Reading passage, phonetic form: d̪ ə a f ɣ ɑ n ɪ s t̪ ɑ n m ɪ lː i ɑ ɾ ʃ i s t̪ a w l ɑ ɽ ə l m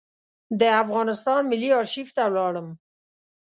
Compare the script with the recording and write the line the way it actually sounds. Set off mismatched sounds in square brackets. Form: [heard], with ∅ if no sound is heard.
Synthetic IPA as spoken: d̪ ə a f ɣ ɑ n ɪ s t̪ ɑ n m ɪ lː i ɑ ɾ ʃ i [f] t̪ a w l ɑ ɽ ə [∅] m